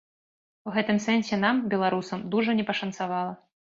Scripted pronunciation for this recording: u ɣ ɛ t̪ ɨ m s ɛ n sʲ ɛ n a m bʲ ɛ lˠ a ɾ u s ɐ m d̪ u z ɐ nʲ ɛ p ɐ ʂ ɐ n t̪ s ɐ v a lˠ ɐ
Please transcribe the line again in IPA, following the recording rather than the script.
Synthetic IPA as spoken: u ɣ ɛ t̪ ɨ m s ɛ n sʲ ɛ n a m bʲ ɛ lˠ a ɾ u s ɐ m d̪ u ʐ ɐ nʲ ɛ p ɐ ʂ ɐ n t̪ s a v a lˠ ɐ